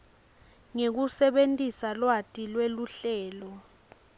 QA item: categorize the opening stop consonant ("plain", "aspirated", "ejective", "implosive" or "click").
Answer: plain